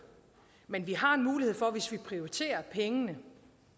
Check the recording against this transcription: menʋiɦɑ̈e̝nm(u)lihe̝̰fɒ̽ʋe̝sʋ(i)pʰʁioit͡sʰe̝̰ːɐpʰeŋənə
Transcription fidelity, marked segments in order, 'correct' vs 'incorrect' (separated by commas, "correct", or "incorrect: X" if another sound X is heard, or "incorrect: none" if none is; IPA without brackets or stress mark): incorrect: uː, correct